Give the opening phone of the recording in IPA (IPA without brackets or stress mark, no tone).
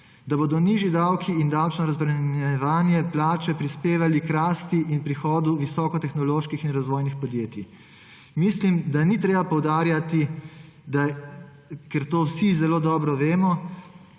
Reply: d̪